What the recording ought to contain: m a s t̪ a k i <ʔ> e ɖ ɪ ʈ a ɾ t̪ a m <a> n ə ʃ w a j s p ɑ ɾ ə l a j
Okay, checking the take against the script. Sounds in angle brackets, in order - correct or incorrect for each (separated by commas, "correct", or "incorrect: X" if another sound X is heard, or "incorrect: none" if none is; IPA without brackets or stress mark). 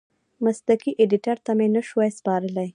correct, incorrect: e